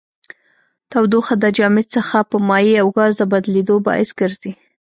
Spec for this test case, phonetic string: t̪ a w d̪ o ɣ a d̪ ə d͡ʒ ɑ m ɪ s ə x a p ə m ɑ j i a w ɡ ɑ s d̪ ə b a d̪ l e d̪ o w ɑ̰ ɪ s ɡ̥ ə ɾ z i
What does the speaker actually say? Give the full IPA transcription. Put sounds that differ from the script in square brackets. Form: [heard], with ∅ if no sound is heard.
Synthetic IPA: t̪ a w d̪ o [x] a d̪ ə d͡ʒ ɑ m ɪ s ə x a p ə m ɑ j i a w ɡ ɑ [z] d̪ ə b a d̪ l e d̪ o [b] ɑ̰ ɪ s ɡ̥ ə ɾ z i